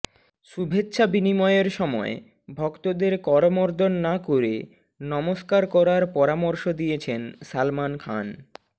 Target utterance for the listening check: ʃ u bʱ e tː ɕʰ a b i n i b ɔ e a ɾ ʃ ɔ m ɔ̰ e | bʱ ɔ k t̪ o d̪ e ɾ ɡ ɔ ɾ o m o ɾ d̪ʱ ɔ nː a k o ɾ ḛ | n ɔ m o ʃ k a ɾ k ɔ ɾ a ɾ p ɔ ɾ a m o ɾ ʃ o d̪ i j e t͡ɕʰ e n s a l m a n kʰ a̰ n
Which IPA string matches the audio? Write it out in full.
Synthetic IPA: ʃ u bʱ e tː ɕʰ a b i n i m ɔ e e ɾ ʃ ɔ m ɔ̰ e | bʱ ɔ k t̪ o d̪ e ɾ k ɔ ɾ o m o ɾ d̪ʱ o nː a k o ɾ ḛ | n ɔ m o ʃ k a ɾ k ɔ ɾ a ɾ p ɔ ɾ a m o ɾ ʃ o d̪ i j e t͡ɕʰ e n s a l m a n kʰ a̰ n

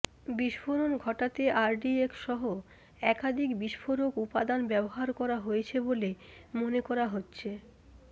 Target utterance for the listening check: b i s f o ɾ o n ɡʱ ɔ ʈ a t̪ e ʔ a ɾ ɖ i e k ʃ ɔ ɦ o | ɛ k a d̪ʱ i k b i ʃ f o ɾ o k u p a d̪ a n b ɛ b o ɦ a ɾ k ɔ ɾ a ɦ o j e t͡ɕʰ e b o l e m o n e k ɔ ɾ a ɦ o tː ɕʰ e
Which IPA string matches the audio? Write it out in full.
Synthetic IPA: b i ʃ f o ɾ o n ɡʱ ɔ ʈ a t̪ e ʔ a ɾ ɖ i e k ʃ ɔ ɦ o | ɛ k a d̪ʱ i k b i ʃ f o ɾ o k u p a d̪ a n b ɛ b o ɦ a ɾ k ɔ ɾ a ɦ o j e t͡ɕʰ e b o l e m o n e k ɔ ɾ a ɦ o tː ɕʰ e

